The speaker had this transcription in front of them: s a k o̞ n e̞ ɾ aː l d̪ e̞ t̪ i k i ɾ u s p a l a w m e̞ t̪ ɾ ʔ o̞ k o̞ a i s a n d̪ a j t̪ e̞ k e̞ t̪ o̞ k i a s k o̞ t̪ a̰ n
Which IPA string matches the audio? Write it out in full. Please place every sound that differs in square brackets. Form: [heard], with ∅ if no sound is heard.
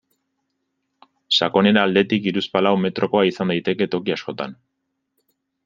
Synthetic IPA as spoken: s a k o̞ n e̞ ɾ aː l d̪ e̞ t̪ i k i ɾ u s p a l a w m e̞ t̪ ɾ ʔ o̞ k o̞ a i s a n d̪ a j t̪ e̞ k e̞ t̪ o̞ k i a s k o̞ t̪ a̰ n